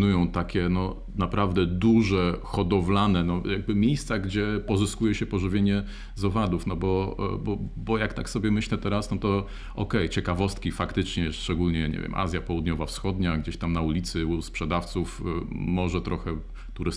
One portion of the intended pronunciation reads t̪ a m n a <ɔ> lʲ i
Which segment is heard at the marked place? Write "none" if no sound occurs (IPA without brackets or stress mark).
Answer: u